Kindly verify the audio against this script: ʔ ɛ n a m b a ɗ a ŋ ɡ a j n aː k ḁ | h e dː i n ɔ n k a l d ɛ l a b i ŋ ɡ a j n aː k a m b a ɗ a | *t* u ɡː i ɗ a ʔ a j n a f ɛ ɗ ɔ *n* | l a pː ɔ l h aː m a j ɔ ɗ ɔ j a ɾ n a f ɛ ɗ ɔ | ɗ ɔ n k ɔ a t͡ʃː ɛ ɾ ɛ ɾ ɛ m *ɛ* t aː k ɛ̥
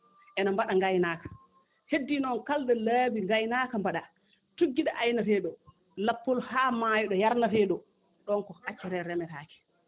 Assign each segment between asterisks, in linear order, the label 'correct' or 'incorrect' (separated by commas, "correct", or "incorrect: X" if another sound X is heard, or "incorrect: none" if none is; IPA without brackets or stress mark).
correct, incorrect: none, correct